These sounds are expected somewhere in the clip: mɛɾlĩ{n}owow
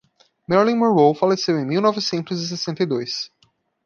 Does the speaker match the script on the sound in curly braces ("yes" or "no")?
no